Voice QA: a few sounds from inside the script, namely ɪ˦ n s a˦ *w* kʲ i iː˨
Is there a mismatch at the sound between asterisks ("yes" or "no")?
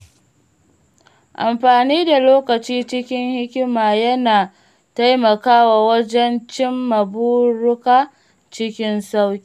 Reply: no